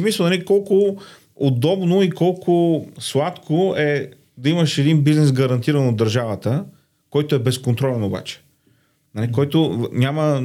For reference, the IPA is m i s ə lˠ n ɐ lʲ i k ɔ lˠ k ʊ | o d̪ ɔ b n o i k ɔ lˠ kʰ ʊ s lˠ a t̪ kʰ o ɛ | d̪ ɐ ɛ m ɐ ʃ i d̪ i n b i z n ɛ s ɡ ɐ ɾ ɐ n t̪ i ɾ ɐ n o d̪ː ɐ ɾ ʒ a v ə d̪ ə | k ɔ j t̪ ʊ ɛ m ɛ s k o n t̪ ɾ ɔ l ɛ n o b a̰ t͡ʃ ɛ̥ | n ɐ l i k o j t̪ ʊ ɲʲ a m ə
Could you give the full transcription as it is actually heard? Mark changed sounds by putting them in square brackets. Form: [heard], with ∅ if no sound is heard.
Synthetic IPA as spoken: m i s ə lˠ n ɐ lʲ i k ɔ lˠ k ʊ | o d̪ ɔ b n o i k ɔ lˠ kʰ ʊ s lˠ a t̪ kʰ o ɛ | d̪ ɐ [i] m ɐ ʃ [ɛ] d̪ i n b i z n ɛ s ɡ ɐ ɾ ɐ n t̪ i ɾ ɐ n o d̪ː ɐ ɾ ʒ a v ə [t̪] ə | k ɔ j t̪ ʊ ɛ [b] ɛ s k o n t̪ ɾ ɔ l ɛ n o b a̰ t͡ʃ ɛ̥ | n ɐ l i k [ɔ] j t̪ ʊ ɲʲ a m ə